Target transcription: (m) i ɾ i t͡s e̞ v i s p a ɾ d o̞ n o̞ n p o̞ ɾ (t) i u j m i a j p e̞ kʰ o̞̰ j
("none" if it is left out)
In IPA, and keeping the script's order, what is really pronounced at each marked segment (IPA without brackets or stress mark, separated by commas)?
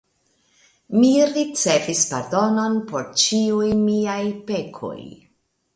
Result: m, t͡ʃ